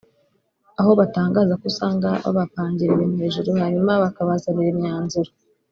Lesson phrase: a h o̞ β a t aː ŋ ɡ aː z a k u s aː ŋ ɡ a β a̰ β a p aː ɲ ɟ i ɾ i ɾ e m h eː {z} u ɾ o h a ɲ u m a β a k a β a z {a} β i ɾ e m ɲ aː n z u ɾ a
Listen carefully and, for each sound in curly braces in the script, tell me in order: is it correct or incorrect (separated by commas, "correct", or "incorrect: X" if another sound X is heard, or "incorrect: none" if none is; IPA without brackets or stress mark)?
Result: incorrect: ʒ, correct